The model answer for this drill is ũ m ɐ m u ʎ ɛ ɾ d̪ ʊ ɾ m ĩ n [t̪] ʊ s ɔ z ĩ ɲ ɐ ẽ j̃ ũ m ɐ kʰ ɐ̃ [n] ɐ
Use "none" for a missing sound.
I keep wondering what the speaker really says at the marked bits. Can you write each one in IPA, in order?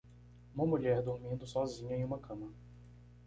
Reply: d̪, m

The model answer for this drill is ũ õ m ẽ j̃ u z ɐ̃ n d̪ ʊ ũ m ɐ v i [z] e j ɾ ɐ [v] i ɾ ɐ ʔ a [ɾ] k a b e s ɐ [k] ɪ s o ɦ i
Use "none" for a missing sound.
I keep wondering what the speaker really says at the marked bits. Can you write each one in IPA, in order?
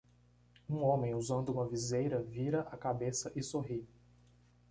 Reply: z, v, none, ʔ

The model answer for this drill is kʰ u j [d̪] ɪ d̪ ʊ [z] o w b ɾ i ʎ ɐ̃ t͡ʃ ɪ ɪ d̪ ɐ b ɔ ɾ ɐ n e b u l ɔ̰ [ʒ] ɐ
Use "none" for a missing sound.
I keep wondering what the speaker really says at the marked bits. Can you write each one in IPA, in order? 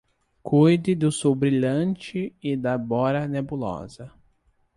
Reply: d̪, s, z

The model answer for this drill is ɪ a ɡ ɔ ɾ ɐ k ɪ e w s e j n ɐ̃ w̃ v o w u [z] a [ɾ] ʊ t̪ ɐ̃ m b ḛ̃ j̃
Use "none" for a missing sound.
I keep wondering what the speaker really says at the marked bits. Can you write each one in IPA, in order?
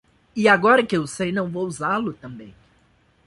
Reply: z, l

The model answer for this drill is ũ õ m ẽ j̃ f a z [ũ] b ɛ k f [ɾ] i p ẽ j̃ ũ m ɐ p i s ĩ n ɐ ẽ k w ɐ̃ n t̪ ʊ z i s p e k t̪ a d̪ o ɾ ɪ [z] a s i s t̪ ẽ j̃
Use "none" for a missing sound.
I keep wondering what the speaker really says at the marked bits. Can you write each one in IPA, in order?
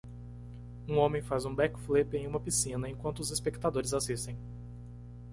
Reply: ũ, l, z

